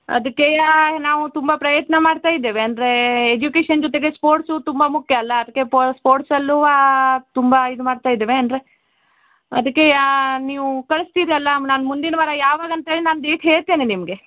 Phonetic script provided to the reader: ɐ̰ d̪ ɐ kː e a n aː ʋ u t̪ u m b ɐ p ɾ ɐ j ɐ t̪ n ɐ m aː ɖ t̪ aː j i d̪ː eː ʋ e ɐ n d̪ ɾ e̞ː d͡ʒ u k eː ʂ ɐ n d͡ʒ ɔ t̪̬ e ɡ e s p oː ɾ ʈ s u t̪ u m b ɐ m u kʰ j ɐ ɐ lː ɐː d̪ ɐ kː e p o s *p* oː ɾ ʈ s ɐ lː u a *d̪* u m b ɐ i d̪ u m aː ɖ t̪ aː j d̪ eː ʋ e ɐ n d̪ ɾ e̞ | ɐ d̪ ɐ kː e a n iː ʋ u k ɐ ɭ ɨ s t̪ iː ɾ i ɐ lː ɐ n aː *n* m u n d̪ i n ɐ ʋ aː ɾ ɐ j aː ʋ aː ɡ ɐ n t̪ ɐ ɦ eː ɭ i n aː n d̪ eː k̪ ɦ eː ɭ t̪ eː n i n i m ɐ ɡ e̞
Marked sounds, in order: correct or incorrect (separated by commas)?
correct, incorrect, correct